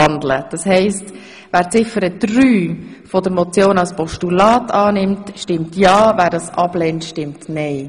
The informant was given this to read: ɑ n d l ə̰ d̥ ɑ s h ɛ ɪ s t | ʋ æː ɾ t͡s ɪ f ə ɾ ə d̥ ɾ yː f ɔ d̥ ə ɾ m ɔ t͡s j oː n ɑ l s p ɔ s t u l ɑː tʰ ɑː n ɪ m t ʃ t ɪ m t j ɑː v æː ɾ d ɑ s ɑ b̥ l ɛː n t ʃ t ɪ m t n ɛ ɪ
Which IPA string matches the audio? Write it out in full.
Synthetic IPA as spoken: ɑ n d l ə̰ d̥ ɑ s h ɛ ɪ s t | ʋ æː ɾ t͡s ɪ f ə ɾ ə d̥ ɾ yː f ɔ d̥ ə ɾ m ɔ t͡s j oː n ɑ l s p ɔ ʃ t u l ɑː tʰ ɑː n ɪ m t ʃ t ɪ m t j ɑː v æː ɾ d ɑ s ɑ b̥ l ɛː n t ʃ t ɪ m t n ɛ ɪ